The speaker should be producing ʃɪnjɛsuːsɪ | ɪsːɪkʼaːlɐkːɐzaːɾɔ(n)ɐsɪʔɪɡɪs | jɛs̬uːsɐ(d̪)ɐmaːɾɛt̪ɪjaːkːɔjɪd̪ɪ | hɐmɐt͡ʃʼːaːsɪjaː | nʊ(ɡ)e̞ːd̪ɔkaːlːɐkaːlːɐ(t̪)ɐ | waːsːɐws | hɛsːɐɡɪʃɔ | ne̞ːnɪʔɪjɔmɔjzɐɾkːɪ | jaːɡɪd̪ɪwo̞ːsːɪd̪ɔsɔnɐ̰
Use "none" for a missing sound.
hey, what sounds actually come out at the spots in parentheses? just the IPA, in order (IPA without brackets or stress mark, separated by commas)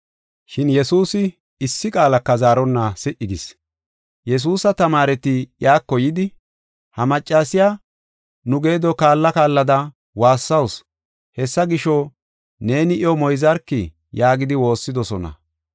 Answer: nː, t̪, ɡ, d̪